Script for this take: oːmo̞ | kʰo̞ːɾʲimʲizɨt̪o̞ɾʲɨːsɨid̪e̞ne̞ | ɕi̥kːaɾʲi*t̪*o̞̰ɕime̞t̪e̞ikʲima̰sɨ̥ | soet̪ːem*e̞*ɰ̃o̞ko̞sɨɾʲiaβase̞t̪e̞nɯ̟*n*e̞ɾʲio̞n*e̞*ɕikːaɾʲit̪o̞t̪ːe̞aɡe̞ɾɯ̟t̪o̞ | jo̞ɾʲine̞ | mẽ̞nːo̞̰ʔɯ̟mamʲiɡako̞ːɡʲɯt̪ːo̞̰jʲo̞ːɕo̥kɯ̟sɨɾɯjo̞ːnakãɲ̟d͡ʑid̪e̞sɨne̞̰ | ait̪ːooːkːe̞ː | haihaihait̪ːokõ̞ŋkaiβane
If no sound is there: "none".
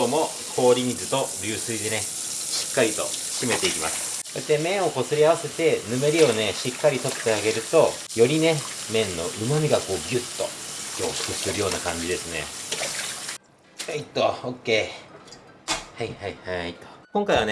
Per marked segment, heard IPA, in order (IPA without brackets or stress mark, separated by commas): t̪, ẽ̞, m, e̞